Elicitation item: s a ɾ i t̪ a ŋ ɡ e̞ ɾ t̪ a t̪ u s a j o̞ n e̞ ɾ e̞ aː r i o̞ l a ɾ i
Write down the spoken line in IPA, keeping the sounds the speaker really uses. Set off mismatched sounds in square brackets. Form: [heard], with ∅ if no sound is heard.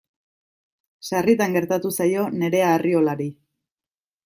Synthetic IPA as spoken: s a [r] i t̪ a ŋ ɡ e̞ ɾ t̪ a t̪ u s a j o̞ n e̞ ɾ e̞ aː r i o̞ l a ɾ i

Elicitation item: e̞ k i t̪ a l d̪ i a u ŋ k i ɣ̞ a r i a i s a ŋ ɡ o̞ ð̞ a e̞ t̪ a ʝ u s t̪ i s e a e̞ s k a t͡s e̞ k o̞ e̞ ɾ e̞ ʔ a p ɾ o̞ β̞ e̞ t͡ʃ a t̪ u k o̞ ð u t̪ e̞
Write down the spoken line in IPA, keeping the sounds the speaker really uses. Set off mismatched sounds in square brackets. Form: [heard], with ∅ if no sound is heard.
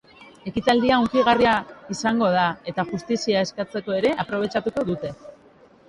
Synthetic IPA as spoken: e̞ k i t̪ a l d̪ i a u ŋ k i ɣ̞ a r i a i s a ŋ ɡ o̞ ð̞ a e̞ t̪ a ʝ u s t̪ i s [i] a e̞ s k a t͡s e̞ k o̞ e̞ ɾ e̞ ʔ a p ɾ o̞ β̞ e̞ t͡ʃ a t̪ u k o̞ ð u t̪ e̞

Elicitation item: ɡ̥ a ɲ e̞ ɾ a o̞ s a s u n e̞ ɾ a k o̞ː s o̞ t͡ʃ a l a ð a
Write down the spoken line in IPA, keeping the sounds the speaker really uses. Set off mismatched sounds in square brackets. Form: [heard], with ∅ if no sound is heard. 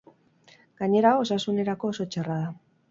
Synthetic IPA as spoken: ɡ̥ a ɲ e̞ ɾ a o̞ s a s u n e̞ ɾ a k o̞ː s o̞ t͡ʃ a [r] a ð a

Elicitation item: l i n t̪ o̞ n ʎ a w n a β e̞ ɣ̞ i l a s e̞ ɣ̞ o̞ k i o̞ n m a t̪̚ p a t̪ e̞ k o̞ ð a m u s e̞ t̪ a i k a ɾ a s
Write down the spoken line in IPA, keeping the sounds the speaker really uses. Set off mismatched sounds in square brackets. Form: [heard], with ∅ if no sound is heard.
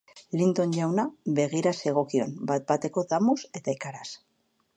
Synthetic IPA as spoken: l i n t̪ o̞ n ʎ a w n a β e̞ ɣ̞ i [ɾ] a s e̞ ɣ̞ o̞ k i o̞ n [b] a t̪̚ [b] a t̪ e̞ k o̞ ð a m u s e̞ t̪ a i k a ɾ a s

